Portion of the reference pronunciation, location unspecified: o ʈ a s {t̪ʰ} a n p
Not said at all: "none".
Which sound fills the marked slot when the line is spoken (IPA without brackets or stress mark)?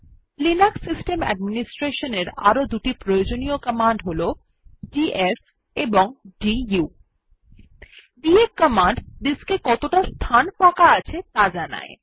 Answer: t̪ʰ